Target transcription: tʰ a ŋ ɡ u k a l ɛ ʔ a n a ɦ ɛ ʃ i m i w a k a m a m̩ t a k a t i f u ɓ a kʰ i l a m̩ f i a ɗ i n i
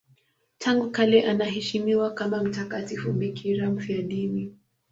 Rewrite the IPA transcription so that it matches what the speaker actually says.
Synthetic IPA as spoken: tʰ a ŋ ɡ u k a l ɛ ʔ a n a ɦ ɛ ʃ i m i w a k a m a m̩ t a k a t i f u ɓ i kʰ i ɾ a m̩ f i a ɗ i n i

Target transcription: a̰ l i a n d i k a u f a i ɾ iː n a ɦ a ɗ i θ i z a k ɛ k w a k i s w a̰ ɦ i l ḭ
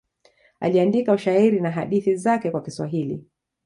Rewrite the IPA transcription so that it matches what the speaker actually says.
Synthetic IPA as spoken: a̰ l i a n d i k a u ʃ a i ɾ i n a ɦ a ɗ i θ i z a k ɛ k w a k i s w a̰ ɦ i l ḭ

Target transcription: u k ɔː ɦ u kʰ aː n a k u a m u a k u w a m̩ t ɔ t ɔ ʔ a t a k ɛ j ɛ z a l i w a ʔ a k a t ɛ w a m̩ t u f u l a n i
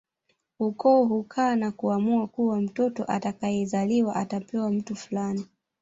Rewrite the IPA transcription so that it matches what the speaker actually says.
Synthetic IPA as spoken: u k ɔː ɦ u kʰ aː n a k u a m u a k u w a m̩ t ɔ t ɔ ʔ a t a k a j ɛ z a l i w a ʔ a t a p ɛ w a m̩ t u f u l a n i

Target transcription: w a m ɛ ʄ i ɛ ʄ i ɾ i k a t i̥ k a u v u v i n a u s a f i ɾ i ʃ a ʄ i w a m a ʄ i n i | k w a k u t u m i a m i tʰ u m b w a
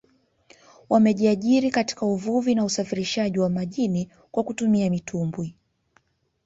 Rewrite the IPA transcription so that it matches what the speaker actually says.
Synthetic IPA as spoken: w a m ɛ ʄ i a ʄ i ɾ i k a t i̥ k a u v u v i n a u s a f i ɾ i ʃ a ʄ i w a m a ʄ i n i | k w a k u t u m i a m i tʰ u m b w i

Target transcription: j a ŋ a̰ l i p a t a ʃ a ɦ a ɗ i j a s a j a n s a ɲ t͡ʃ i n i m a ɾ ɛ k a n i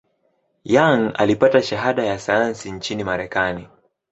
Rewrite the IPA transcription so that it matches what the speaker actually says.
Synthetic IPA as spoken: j a ŋ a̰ l i p a t a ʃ a ɦ a ɗ a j a s a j a n s i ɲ t͡ʃ i n i m a ɾ ɛ k a n i

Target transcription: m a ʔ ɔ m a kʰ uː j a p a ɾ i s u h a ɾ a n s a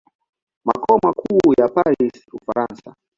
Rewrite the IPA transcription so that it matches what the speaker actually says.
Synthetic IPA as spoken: m a k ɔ m a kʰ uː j a p a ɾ i s u f a ɾ a n s a

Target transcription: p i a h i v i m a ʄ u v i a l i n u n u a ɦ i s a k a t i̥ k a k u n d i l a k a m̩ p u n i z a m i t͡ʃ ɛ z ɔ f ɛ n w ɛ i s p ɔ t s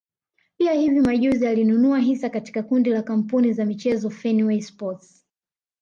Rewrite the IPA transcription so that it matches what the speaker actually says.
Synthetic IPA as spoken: p i a h i v i m a ʄ u z i a l i n u n u a ɦ i s a k a t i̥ k a k u n d i l a k a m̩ p u n i z a m i t͡ʃ ɛ z ɔ f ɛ n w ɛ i s p ɔ t s

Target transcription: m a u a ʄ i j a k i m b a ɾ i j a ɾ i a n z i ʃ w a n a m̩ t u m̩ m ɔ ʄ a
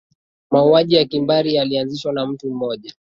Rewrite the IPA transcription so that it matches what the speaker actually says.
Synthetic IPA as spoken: m a u a ʄ i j a k i m b a ɾ i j a l i a n z i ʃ w a n a m̩ t u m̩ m ɔ ʄ a

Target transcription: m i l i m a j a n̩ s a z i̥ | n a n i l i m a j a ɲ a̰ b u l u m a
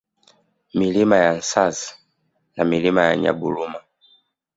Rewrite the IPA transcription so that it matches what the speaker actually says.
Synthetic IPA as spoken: m i l i m a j a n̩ s a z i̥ | n a m i l i m a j a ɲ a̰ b u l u m a

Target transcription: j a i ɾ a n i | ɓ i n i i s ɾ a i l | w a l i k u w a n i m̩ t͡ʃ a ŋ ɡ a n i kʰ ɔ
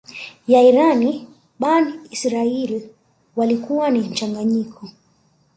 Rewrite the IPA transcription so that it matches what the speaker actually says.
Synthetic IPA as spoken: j a i ɾ a n i | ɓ a n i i s ɾ a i l | w a l i k u w a n i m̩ t͡ʃ a ŋ ɡ a ɲ i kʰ ɔ

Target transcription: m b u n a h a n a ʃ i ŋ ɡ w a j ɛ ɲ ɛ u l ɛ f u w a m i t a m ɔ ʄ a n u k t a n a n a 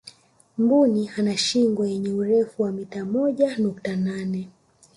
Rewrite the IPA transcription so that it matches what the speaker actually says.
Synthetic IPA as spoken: m b u n i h a n a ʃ i ŋ ɡ w a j ɛ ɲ ɛ u ɾ ɛ f u w a m i t a m ɔ ʄ a n u k t a n a n ɛ

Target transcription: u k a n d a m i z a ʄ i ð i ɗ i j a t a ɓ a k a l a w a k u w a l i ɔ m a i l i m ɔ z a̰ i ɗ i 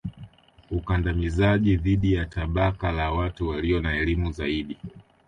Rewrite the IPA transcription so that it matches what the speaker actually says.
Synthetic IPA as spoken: u k a n d a m i z a ʄ i ð i ɗ i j a t a ɓ a k a l a w a t u w a l i ɔ n a ɛ l i m u z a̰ i ɗ i

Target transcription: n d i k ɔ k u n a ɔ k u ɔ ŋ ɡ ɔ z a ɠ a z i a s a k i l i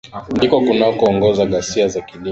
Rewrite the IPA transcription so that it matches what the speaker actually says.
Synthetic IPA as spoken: n d i k ɔ k u n a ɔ k u ɔ ŋ ɡ ɔ z a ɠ a s i a z a k i l i

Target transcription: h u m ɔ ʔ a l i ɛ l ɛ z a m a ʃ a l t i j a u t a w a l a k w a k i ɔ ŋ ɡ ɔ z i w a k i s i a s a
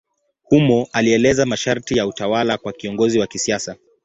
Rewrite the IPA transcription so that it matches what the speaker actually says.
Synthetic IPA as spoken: h u m ɔ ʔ a l i ɛ l ɛ z a m a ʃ a ɾ t i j a u t a w a l a k w a k i ɔ ŋ ɡ ɔ z i w a k i s i a s a

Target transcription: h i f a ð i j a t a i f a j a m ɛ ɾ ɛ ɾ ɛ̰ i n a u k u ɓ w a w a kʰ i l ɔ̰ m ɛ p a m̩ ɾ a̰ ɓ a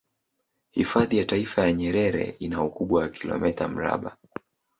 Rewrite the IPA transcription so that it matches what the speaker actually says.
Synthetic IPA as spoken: h i f a ð i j a t a i f a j a ɲ ɛ ɾ ɛ ɾ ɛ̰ i n a u k u ɓ w a w a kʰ i l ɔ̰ m ɛ t a m̩ ɾ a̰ ɓ a

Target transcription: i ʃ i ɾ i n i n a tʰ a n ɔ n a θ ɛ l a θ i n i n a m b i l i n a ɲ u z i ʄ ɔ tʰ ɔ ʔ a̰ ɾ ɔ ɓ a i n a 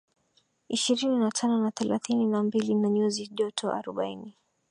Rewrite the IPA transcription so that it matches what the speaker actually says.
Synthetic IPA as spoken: i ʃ i ɾ i n i n a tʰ a n ɔ n a θ ɛ l a θ i n i n a m b i l i n a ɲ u z i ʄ ɔ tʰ ɔ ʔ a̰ ɾ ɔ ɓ a i n i

